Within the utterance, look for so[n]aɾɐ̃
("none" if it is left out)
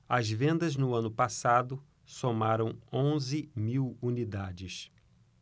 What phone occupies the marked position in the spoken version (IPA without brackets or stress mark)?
m